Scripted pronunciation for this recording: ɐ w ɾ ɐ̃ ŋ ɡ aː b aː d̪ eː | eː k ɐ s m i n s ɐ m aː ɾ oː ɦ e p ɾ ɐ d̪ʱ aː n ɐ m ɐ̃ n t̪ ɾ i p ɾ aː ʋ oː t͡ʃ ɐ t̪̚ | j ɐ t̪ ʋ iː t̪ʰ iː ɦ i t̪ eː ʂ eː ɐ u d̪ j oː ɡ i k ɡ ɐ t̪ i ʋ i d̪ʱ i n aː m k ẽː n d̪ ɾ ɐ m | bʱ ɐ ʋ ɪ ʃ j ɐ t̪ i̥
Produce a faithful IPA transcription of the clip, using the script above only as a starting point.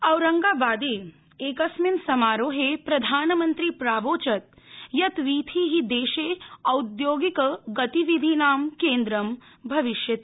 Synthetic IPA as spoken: ɐ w ɾ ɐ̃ ŋ ɡ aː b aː d̪ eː | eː k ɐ s m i n s ɐ m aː ɾ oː ɦ e p ɾ ɐ d̪ʱ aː n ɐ m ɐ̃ n t̪ ɾ i p ɾ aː ʋ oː t͡ʃ ɐ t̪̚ | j ɐ t̪ ʋ iː t̪ʰ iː ɦ i d̪ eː ʃ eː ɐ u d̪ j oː ɡ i k ɡ ɐ t̪ i ʋ i d̪ʱ i n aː m k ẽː n d̪ ɾ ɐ m | bʱ ɐ ʋ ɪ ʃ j ɐ t̪ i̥